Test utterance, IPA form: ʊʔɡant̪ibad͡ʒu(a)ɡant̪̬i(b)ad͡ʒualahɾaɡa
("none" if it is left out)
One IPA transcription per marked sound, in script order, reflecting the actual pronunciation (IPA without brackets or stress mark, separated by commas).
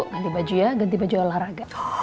a, b